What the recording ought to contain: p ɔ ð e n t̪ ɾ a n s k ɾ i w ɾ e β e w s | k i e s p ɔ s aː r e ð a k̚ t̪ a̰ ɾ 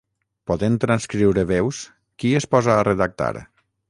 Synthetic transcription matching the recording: p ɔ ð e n t̪ ɾ a n s k ɾ i w ɾ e β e w s | k i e s p ɔ z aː r e ð a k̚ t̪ a̰ ɾ